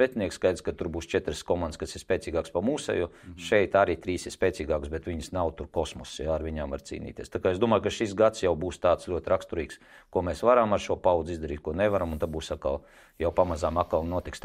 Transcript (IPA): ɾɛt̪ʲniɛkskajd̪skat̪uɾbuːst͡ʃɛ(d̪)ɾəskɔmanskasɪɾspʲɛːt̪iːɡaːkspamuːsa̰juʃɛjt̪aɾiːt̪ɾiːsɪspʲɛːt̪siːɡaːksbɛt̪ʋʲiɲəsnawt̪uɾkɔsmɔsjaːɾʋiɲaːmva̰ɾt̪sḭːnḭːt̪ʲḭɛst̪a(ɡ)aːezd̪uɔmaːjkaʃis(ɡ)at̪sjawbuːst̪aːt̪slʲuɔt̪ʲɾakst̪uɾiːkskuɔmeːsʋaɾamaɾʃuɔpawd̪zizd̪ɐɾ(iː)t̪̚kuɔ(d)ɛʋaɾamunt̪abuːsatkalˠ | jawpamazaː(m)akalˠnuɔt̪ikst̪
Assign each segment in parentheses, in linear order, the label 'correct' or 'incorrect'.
incorrect: t̪, incorrect: k, correct, correct, incorrect: n, correct

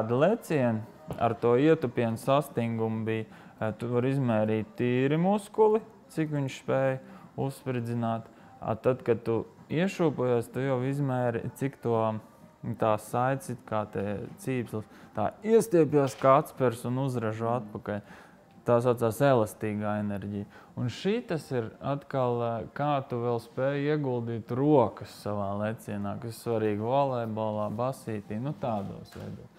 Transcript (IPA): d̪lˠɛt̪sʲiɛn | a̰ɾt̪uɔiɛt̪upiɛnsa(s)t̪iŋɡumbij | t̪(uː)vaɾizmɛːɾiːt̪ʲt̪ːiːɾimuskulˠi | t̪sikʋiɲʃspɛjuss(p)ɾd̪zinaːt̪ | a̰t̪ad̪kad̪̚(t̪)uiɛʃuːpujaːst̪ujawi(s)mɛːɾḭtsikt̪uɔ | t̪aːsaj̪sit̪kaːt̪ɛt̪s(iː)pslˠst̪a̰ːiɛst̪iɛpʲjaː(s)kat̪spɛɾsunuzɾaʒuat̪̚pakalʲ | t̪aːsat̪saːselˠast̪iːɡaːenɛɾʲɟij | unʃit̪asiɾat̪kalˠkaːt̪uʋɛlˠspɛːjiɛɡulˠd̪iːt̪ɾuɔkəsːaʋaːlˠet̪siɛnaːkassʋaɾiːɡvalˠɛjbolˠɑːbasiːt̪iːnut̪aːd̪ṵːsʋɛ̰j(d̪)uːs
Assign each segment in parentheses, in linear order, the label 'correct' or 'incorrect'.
correct, incorrect: u, correct, correct, incorrect: z, correct, correct, correct

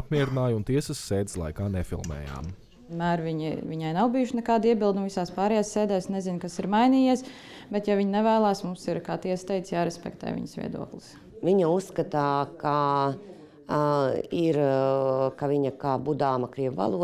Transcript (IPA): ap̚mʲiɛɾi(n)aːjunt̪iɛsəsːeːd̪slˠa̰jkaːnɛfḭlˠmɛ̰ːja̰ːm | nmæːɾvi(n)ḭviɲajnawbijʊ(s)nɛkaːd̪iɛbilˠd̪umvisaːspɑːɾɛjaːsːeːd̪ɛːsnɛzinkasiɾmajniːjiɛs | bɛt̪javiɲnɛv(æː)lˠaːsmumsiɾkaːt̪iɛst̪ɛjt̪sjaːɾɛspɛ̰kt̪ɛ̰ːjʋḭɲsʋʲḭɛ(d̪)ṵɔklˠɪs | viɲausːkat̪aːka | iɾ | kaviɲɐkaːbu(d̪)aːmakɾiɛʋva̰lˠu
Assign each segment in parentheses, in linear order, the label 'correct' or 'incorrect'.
correct, incorrect: ɲ, incorrect: ʃ, correct, correct, correct

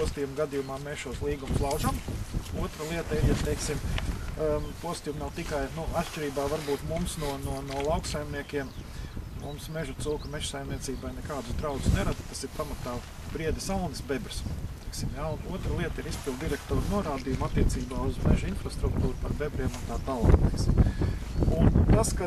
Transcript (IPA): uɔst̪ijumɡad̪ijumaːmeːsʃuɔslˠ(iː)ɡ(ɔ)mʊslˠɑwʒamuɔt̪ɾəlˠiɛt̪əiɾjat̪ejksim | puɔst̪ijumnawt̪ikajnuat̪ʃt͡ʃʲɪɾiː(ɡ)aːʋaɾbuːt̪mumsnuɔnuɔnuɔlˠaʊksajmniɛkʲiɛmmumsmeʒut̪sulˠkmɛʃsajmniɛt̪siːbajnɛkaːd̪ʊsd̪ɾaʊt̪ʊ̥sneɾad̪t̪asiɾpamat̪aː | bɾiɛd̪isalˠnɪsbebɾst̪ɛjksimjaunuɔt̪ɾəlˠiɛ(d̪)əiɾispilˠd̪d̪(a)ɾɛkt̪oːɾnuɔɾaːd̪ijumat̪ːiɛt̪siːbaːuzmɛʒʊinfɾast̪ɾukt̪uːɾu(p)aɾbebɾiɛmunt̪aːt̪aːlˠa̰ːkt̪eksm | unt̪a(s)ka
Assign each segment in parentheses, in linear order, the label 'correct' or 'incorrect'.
correct, incorrect: u, incorrect: b, incorrect: t̪, incorrect: i, correct, correct

